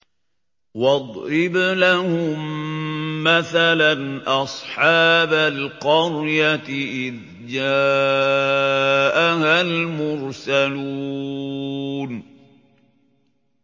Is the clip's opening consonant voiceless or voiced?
voiced